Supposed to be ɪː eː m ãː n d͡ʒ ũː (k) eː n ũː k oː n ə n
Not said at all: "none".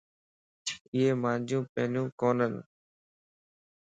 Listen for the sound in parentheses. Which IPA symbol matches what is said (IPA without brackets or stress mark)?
p